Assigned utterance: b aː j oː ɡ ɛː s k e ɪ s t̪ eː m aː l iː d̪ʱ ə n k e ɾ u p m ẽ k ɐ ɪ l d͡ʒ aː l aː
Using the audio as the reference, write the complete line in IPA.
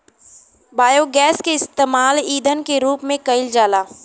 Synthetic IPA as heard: b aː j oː ɡ ɛː s k e ɪ s t̪ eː m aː l iː d̪ʱ ə n k e ɾ uː p m ẽ k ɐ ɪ l d͡ʒ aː l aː